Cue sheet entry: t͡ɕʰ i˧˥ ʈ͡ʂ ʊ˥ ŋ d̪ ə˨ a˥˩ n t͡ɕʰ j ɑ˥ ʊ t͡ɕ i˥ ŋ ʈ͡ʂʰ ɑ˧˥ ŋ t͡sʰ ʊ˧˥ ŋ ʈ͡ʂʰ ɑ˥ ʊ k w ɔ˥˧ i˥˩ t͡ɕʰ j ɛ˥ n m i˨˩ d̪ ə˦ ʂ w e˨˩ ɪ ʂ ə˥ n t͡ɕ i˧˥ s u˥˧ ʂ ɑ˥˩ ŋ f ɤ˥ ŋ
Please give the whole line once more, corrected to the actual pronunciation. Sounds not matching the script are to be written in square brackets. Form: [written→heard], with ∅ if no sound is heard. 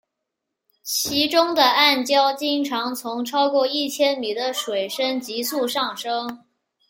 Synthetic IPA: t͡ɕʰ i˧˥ ʈ͡ʂ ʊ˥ ŋ d̪ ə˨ a˥˩ n [t͡ɕʰ→t͡ɕ] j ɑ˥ ʊ t͡ɕ i˥ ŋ ʈ͡ʂʰ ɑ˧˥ ŋ t͡sʰ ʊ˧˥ ŋ ʈ͡ʂʰ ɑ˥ ʊ k w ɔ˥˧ i˥˩ t͡ɕʰ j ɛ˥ n m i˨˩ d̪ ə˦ ʂ w e˨˩ ɪ ʂ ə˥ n t͡ɕ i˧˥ s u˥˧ ʂ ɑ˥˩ ŋ [f→ʂ] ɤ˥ ŋ